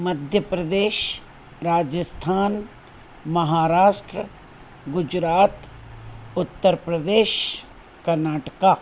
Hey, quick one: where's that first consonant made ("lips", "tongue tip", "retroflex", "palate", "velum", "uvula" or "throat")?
lips